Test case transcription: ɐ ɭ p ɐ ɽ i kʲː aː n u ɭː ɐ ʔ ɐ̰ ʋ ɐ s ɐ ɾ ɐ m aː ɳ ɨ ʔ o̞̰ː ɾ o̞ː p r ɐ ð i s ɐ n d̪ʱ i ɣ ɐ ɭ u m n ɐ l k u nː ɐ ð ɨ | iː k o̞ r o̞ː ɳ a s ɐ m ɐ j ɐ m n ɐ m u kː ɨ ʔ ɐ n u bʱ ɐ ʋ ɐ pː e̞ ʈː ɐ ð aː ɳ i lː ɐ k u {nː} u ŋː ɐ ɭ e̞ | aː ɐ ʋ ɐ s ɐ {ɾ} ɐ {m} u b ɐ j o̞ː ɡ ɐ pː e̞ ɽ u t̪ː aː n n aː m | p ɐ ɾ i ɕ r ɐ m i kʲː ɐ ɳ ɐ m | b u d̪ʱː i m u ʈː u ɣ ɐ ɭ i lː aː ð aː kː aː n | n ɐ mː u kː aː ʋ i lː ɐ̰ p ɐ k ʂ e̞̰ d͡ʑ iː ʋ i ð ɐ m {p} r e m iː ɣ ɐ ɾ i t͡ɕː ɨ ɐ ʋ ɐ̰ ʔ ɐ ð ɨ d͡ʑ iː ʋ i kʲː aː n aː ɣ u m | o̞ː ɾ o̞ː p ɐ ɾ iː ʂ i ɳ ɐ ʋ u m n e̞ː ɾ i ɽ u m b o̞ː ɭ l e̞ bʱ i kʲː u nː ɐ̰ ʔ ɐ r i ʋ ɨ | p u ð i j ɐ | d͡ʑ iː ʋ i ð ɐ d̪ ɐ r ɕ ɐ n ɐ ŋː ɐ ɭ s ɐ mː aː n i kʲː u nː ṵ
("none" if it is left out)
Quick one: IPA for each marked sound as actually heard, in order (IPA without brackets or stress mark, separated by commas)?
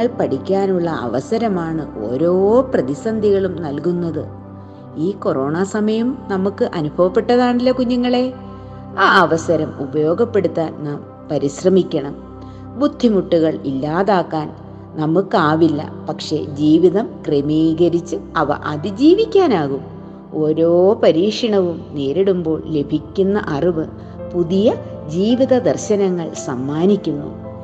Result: ɲː, ɾ, m, k